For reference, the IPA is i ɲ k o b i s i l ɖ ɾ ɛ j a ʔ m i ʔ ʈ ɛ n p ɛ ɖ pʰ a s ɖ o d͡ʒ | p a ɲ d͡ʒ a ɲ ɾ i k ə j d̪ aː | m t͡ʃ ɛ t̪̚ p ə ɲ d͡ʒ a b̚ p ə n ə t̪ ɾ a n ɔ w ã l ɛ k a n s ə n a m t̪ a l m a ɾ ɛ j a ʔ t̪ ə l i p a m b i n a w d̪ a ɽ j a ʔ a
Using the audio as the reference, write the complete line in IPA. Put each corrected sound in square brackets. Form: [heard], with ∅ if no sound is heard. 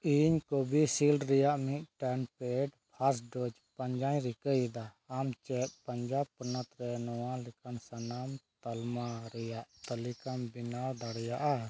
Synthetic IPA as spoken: i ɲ k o b i s i l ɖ ɾ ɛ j a ʔ m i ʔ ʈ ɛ n p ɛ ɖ pʰ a s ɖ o d͡ʒ | p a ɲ d͡ʒ a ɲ ɾ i k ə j d̪ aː | m t͡ʃ ɛ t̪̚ p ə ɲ d͡ʒ a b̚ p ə n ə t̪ ɾ [ɛ] n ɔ w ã l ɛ k a n s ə n a m t̪ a l m a ɾ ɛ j a ʔ t̪ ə l i [k] a m b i n a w d̪ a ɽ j a ʔ a